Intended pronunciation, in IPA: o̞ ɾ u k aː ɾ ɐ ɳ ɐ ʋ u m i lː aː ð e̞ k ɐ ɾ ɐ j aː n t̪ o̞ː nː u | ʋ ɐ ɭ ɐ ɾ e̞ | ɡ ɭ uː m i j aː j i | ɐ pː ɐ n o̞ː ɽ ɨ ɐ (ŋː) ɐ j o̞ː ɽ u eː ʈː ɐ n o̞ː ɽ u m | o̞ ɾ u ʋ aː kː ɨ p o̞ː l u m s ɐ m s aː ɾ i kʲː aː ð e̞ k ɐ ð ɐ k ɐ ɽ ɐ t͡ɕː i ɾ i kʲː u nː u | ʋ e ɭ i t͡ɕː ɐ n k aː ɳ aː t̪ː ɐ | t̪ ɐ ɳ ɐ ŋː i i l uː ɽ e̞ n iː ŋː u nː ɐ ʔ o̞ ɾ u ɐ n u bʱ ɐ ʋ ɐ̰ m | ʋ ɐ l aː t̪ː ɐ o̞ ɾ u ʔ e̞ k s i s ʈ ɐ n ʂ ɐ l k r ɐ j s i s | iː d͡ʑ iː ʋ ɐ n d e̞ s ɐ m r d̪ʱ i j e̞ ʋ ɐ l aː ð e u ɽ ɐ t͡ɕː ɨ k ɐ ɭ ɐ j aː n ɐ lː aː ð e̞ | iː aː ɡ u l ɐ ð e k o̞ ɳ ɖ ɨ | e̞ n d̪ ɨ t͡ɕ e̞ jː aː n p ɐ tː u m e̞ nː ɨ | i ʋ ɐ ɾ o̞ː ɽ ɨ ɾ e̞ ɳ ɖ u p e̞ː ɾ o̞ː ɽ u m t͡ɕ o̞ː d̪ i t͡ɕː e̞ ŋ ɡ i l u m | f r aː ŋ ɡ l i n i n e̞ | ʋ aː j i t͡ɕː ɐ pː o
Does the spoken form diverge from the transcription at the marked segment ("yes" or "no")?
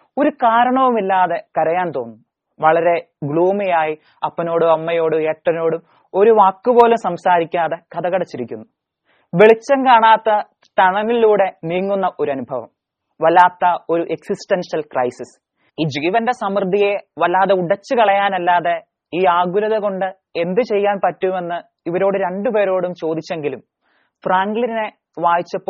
yes